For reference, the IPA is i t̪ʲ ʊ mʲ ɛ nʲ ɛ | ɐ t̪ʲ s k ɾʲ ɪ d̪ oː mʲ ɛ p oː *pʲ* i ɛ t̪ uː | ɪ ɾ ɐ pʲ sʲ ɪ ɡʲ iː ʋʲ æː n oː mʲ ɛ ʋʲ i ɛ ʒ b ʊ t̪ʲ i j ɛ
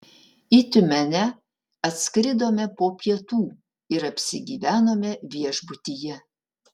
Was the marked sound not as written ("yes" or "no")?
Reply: no